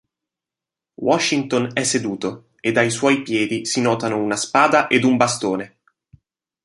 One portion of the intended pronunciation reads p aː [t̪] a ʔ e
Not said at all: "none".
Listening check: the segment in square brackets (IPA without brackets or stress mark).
d̪